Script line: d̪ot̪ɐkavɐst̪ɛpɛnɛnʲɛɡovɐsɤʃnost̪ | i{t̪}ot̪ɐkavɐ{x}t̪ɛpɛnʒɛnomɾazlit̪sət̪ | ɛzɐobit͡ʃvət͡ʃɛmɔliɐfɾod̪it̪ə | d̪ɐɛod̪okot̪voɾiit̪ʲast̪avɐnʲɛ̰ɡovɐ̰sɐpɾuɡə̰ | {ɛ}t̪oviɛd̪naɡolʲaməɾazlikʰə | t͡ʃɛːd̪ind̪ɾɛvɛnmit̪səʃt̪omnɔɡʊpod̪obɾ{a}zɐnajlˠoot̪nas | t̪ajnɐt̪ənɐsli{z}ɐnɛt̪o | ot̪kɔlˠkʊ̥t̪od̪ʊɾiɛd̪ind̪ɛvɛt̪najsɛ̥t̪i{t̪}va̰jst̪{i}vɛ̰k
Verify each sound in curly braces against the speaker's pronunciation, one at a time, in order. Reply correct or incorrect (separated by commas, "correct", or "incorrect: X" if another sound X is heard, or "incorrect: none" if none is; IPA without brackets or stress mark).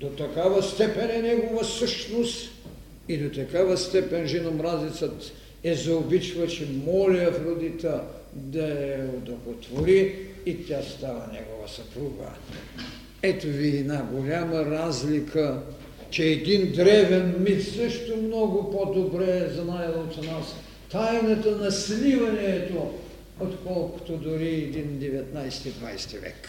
incorrect: d̪, incorrect: s, correct, incorrect: ɛ, incorrect: v, incorrect: d̪, correct